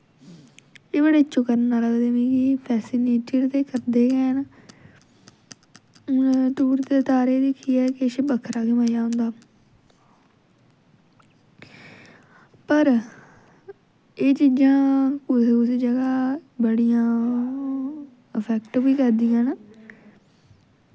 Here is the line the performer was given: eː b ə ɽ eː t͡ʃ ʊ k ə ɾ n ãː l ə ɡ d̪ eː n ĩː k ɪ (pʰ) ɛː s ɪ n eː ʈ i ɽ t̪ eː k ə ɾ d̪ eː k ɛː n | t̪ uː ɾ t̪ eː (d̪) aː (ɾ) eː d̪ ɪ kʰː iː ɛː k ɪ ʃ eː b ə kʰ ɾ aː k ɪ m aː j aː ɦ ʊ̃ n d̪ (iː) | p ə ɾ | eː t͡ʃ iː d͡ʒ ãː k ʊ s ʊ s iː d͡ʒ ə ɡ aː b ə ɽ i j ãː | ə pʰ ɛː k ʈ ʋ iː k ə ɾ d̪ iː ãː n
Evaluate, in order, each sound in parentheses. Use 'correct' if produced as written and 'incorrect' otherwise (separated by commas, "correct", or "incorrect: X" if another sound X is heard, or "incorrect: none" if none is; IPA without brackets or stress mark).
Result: correct, incorrect: t̪, correct, incorrect: aː